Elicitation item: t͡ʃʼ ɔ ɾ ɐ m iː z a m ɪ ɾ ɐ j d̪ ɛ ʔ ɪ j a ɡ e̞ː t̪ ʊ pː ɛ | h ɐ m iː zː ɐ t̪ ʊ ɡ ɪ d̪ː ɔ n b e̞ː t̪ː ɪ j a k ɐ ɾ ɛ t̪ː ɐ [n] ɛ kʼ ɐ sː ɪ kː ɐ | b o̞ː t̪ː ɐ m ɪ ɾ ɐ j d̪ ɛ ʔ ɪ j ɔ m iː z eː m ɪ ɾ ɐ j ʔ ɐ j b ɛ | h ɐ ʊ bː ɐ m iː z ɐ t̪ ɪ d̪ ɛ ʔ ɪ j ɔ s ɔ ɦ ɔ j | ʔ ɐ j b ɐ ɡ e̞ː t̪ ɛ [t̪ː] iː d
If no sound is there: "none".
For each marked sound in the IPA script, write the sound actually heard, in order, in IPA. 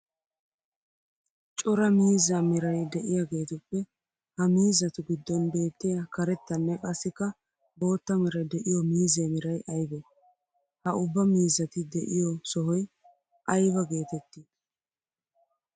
nː, t̪ː

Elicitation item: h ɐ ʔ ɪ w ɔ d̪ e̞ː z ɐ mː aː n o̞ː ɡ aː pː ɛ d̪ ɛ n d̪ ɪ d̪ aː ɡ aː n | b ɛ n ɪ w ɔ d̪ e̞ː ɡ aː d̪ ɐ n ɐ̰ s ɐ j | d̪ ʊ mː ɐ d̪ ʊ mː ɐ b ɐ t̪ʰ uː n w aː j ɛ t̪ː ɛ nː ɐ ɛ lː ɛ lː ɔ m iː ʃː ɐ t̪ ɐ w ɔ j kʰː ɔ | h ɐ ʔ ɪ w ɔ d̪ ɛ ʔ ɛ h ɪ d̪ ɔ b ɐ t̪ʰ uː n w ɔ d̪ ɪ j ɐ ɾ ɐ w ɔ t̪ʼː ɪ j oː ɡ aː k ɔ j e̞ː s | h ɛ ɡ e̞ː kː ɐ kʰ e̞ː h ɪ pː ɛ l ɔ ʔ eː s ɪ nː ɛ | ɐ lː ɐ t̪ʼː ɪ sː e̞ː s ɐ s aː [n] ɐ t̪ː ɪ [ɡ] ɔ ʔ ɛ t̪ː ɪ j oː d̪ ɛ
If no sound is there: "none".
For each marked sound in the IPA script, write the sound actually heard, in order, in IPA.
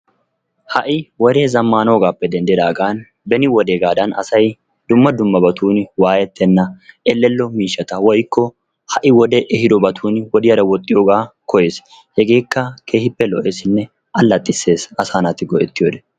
n, ɡ

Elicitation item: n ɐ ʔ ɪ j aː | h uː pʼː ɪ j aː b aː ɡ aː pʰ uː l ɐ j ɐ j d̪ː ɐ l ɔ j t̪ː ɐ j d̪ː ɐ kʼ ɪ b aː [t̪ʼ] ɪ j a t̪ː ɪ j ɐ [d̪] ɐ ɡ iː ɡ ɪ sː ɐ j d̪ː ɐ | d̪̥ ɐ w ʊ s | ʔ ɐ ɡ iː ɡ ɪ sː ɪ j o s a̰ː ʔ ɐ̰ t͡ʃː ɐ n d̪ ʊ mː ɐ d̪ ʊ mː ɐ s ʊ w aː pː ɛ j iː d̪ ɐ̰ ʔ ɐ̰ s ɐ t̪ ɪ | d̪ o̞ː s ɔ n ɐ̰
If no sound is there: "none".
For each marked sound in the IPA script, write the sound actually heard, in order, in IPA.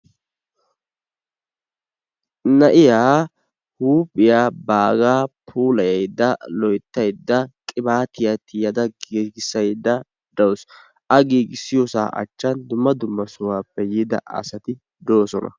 t̪, d̪

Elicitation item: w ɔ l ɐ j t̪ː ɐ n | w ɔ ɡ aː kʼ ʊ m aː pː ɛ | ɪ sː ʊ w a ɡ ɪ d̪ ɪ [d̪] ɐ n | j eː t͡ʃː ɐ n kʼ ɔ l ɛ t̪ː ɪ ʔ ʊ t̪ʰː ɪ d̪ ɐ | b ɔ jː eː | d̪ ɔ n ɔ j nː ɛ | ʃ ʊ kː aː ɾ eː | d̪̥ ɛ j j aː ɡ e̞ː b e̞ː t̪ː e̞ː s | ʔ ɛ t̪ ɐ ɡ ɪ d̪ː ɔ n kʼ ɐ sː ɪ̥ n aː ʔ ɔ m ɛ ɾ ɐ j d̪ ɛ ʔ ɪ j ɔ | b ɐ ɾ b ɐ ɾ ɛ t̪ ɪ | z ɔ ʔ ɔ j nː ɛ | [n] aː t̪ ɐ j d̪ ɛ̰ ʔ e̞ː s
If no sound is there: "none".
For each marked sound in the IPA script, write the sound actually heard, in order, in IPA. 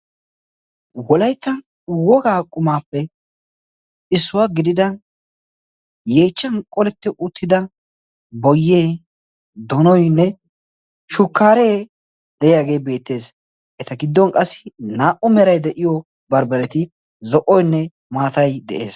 d̪, m

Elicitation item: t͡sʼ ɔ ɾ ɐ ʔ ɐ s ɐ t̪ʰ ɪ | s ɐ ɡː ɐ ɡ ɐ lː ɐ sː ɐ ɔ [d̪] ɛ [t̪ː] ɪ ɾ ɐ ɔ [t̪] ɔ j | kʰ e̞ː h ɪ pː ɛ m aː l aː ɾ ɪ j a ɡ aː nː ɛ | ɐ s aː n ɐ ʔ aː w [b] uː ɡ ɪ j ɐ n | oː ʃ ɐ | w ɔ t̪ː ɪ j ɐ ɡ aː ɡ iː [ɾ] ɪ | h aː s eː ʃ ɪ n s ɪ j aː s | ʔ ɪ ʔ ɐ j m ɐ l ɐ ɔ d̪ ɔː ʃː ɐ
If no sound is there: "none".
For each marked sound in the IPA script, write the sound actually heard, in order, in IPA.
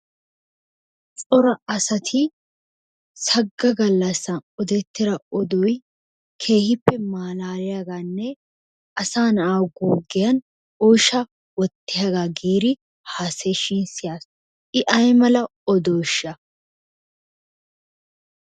d̪, t̪ː, d̪, ɡ, ɾ

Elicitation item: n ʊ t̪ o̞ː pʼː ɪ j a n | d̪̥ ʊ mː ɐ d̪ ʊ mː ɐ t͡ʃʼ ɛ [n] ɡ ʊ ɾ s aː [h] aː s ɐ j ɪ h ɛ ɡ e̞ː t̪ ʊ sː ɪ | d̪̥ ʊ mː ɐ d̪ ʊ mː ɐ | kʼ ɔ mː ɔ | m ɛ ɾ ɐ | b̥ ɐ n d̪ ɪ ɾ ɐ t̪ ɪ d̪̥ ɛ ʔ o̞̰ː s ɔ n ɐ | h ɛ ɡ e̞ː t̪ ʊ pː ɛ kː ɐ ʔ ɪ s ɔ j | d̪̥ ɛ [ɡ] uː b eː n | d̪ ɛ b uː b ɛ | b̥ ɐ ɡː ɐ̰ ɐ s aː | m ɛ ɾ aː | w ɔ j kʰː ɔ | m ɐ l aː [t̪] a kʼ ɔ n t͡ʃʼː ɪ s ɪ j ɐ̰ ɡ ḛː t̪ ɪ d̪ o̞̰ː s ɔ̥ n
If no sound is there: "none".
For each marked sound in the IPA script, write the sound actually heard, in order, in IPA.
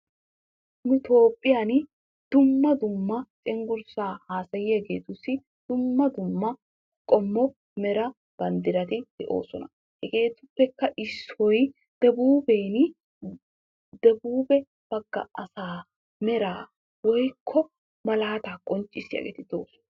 ŋ, h, b, t̪

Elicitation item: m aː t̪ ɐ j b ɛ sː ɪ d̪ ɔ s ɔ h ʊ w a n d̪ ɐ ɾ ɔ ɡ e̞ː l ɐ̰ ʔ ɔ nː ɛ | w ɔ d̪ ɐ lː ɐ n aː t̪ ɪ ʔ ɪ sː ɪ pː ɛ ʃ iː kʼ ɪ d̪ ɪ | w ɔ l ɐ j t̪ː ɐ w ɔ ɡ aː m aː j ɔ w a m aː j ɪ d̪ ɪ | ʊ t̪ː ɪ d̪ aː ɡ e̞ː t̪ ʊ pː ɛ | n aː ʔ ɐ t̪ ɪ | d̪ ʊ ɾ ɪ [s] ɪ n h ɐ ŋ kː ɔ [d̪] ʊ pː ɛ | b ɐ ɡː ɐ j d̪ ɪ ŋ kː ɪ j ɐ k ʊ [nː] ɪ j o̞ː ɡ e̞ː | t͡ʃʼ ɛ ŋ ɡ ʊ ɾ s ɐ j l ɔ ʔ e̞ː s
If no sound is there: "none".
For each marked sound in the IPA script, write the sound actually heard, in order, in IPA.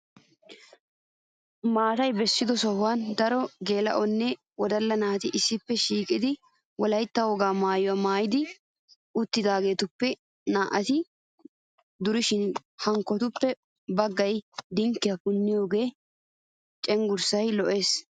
ʃ, t̪, nː

